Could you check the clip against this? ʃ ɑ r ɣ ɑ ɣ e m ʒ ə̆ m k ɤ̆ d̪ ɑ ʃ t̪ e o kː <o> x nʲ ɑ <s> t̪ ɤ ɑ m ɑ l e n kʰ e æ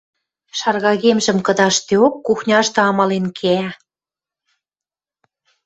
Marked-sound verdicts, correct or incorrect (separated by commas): incorrect, incorrect